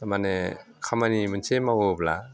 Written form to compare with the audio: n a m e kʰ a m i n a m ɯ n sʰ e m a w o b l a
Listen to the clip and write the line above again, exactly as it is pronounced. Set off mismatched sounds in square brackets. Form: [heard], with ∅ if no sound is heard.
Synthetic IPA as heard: [m] a [n] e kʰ a m [a] n [i] m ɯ n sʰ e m a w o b l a